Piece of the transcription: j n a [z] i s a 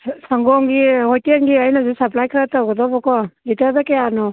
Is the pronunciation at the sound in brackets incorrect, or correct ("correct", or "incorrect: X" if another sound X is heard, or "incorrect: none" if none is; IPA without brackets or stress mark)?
correct